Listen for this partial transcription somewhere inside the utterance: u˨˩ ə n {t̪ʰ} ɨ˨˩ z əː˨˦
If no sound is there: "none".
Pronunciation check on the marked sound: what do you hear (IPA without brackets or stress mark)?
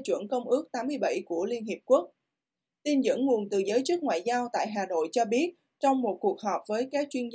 t̪